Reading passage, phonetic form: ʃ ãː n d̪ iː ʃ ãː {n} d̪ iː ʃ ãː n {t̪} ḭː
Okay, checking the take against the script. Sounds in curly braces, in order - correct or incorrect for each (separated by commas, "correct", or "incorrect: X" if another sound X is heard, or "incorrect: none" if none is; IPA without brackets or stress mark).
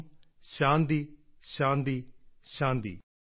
correct, incorrect: d̪